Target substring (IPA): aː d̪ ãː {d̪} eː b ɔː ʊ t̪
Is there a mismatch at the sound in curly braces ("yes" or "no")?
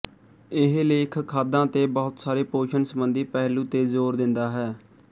yes